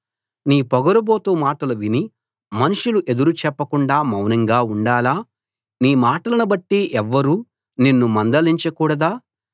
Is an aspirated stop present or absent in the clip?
absent